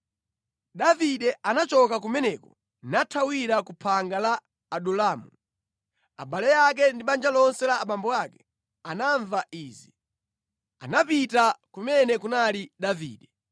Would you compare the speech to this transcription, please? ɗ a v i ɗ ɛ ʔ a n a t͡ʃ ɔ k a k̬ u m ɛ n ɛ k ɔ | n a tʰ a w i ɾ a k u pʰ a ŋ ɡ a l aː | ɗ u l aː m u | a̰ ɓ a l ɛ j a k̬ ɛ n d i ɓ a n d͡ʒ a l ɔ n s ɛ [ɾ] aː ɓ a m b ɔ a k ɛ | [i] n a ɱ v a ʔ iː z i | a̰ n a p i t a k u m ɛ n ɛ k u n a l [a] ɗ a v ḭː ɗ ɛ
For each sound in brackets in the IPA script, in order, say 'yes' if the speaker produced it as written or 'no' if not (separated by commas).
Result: no, no, no